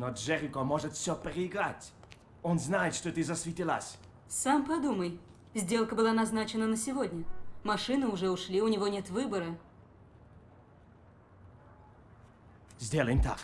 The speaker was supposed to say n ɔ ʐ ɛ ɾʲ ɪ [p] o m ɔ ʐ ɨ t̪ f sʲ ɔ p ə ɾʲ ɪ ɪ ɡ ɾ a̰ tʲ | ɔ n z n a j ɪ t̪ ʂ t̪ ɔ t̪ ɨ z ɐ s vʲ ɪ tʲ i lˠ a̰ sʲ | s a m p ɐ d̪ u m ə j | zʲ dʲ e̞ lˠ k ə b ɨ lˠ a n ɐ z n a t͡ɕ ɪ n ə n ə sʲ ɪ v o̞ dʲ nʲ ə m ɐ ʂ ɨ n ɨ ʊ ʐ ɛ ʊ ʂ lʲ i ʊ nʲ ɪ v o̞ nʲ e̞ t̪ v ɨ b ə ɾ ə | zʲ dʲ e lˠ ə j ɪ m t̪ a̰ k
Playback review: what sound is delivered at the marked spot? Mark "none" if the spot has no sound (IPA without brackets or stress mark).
k